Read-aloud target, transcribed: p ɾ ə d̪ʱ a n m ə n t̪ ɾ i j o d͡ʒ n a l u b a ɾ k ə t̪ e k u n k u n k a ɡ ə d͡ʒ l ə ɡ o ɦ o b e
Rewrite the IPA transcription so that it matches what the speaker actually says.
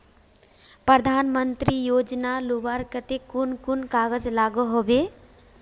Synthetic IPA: p ɾ ə d̪ʱ a n m ə n t̪ ɾ i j o d͡ʒ n a l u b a ɾ k ə t̪ e k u n k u n k a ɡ ə d͡ʒ l a ɡ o ɦ o b e